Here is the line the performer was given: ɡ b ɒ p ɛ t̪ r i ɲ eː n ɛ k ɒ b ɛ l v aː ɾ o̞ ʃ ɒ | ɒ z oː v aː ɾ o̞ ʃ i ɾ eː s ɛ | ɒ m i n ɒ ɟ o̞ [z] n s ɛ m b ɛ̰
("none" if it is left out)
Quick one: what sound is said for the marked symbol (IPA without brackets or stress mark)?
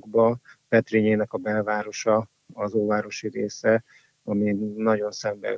none